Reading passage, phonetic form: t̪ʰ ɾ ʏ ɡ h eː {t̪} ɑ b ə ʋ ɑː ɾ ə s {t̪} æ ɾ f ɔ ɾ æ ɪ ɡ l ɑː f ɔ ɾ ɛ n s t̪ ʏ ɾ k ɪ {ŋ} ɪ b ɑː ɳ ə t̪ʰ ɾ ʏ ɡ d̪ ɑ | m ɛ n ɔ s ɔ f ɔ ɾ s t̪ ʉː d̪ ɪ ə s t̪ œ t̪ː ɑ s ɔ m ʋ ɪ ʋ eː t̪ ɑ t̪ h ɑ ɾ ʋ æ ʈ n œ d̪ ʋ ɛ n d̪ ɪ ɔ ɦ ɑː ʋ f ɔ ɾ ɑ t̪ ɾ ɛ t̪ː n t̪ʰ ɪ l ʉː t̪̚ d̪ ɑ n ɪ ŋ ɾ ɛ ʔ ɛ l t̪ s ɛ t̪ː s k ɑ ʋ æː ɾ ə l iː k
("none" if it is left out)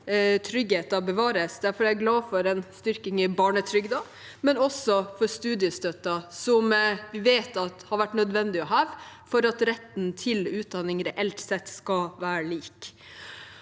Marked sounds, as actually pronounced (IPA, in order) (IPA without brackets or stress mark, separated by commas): t̪, d̪, ŋ